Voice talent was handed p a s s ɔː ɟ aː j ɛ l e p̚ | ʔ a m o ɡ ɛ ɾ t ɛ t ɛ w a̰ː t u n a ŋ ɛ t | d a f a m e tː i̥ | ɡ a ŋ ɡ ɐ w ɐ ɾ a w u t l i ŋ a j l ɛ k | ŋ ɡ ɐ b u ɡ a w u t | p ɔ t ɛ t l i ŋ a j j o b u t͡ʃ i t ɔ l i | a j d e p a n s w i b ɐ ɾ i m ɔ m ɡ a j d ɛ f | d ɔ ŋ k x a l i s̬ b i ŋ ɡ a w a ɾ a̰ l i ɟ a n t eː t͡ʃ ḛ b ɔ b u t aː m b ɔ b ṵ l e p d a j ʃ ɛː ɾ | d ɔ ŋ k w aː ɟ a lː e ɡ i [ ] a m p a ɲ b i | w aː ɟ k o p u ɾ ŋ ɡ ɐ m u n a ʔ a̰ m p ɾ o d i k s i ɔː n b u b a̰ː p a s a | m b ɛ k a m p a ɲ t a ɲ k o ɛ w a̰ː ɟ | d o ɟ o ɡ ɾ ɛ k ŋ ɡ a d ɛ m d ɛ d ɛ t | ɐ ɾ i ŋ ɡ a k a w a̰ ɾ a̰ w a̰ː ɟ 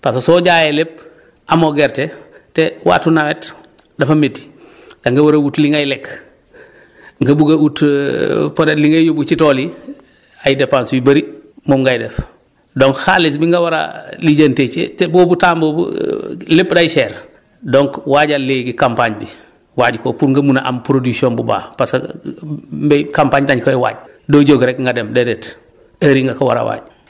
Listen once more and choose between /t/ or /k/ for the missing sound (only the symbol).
k